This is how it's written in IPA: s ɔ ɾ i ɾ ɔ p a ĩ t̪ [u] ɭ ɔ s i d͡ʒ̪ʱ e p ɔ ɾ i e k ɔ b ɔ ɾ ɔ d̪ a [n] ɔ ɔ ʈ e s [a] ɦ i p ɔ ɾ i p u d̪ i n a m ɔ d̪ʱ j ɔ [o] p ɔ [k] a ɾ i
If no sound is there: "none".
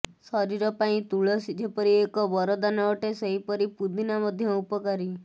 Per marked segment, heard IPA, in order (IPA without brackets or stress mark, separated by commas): u, n, e, u, k